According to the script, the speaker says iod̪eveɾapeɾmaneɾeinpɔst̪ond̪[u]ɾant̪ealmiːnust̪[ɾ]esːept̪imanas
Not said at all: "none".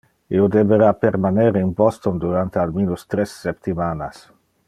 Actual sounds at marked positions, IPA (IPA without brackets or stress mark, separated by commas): u, ɾ